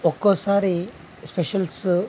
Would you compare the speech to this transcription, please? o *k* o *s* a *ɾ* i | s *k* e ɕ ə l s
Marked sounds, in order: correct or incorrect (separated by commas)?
correct, correct, correct, incorrect